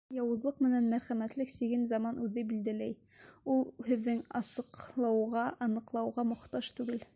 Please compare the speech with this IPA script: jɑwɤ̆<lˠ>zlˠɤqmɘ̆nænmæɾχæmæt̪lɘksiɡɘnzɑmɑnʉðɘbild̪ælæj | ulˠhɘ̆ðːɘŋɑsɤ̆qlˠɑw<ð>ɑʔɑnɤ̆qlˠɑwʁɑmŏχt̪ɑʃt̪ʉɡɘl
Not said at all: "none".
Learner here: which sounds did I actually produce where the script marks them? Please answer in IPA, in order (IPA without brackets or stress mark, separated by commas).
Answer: none, ʁ